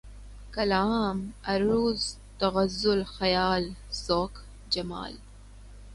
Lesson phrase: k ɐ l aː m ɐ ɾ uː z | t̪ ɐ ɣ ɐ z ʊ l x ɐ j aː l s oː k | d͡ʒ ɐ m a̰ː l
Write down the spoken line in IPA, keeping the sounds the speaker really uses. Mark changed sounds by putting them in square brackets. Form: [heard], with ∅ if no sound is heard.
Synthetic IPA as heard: k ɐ l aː m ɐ ɾ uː z | t̪ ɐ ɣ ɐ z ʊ l x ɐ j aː l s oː k | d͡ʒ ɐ m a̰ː l